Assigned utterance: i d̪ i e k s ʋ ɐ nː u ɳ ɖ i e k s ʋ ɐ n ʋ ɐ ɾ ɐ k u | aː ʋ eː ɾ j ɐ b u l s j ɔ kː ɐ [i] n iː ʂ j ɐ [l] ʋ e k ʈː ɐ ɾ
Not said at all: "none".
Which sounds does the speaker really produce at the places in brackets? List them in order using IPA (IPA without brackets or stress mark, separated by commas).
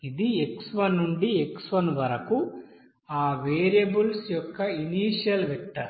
i, l